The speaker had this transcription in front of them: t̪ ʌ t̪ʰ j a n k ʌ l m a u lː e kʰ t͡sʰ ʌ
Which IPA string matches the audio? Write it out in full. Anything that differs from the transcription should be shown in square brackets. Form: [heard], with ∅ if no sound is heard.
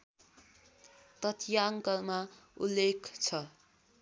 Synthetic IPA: t̪ ʌ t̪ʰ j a [ŋ] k ʌ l m a u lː e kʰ t͡sʰ ʌ